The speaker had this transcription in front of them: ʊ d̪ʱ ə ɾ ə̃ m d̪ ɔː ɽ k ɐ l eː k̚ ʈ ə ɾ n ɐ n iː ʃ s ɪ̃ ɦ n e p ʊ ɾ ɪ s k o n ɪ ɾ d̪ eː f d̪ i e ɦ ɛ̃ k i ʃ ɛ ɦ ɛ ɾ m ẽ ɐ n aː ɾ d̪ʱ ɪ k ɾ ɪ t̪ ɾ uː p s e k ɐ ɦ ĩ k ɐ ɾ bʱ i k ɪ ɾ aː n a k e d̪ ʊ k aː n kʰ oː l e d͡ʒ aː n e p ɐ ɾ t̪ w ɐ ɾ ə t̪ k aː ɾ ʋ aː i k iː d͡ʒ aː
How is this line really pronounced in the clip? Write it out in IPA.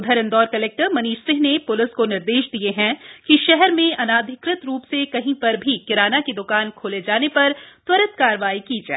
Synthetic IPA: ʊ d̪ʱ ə ɾ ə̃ n d̪ ɔː ɾ k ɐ l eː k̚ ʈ ə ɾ m ɐ n iː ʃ s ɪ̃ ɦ n e p ʊ l ɪ s k o n ɪ ɾ d̪ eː ʃ d̪ i e ɦ ɛ̃ k i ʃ ɛ ɦ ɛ ɾ m ẽ ɐ n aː d̪ʱ ɪ k ɾ ɪ t̪ ɾ uː p s e k ɐ ɦ ĩ p ɐ ɾ bʱ i k ɪ ɾ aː n a k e d̪ ʊ k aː n kʰ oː l e d͡ʒ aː n e p ɐ ɾ t̪ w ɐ ɾ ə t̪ k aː ɾ ʋ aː i k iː d͡ʒ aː